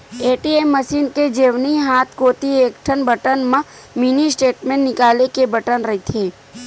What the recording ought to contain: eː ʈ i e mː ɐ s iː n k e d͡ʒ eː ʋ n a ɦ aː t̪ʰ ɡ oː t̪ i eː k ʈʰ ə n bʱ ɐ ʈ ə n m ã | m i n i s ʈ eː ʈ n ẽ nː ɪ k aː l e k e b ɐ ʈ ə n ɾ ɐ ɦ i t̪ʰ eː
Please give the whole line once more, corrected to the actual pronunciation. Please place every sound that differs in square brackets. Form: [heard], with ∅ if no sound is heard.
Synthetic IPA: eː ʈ i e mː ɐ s iː n k e d͡ʒ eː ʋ n [i] ɦ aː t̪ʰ [k] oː t̪ i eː k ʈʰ ə n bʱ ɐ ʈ ə n m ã | m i n i s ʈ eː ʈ [m] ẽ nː ɪ k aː l e k e b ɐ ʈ ə n ɾ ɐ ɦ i t̪ʰ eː